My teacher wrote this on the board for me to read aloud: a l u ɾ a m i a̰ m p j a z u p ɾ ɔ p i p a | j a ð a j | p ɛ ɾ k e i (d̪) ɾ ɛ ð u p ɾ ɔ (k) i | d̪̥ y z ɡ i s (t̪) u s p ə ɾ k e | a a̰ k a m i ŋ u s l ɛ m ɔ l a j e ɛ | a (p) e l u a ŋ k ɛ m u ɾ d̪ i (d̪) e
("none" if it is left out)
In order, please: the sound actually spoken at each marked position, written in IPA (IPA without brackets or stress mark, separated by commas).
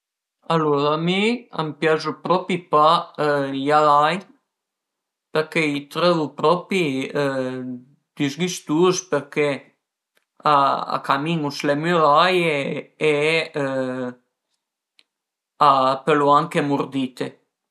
t̪, p, t̪, p, t̪